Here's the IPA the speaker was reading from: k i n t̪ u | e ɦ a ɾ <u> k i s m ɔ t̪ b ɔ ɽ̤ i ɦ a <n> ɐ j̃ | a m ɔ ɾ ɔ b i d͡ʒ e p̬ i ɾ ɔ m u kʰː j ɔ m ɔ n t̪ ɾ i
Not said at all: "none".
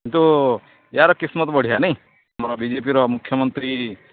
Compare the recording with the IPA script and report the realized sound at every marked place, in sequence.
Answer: ɔ, n

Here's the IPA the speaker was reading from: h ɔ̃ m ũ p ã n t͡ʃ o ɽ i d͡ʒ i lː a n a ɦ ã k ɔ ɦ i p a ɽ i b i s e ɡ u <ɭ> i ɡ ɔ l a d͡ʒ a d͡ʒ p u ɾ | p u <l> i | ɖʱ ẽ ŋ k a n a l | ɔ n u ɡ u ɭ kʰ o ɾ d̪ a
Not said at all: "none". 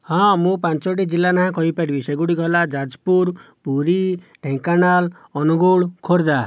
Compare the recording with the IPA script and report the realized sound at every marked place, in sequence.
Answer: ɽ, ɾ

